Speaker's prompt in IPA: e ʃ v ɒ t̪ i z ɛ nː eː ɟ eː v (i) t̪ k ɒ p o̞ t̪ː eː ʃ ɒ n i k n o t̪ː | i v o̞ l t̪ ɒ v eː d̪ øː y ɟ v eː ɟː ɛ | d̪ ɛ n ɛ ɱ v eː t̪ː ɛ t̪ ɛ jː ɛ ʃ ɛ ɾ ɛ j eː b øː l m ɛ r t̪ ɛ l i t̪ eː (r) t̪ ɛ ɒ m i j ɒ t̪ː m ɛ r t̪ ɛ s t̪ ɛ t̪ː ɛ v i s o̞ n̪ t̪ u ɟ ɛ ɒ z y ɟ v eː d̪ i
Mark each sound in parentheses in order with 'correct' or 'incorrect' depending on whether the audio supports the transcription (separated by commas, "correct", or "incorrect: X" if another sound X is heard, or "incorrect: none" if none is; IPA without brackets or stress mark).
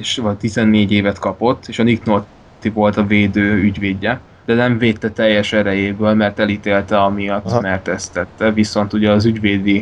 incorrect: ɛ, incorrect: l